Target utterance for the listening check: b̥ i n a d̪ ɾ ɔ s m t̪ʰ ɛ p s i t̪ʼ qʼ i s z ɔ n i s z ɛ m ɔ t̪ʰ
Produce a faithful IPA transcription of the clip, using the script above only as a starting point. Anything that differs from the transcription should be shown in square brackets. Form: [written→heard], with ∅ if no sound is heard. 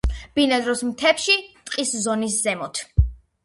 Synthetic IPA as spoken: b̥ i n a d̪ ɾ ɔ s m t̪ʰ ɛ p [s→ʃ] i t̪ʼ qʼ i s z ɔ n i s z ɛ m ɔ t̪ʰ